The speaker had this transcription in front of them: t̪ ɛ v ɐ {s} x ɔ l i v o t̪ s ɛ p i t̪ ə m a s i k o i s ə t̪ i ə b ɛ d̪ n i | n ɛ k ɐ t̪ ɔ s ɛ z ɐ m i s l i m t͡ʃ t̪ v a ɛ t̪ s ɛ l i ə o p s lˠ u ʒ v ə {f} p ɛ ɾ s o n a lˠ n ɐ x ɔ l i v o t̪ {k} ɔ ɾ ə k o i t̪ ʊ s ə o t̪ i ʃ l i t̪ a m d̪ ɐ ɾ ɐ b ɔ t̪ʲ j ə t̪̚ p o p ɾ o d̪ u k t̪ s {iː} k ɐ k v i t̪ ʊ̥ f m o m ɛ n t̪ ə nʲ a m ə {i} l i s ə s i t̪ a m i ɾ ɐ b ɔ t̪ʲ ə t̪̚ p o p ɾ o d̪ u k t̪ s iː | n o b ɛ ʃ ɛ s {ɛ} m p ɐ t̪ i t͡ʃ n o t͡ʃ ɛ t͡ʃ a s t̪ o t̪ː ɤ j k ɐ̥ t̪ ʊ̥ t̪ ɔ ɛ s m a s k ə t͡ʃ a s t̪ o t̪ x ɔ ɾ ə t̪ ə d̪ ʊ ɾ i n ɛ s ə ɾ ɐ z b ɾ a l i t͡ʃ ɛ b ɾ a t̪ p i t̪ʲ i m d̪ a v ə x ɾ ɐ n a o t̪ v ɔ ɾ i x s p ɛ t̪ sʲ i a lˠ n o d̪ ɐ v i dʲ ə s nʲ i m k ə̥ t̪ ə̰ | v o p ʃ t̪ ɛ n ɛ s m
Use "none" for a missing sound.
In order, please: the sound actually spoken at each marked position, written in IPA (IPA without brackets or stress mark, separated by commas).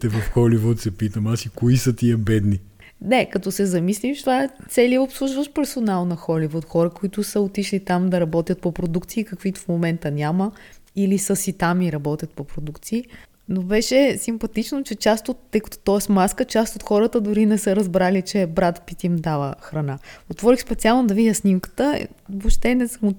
f, ʃ, x, iː, i, i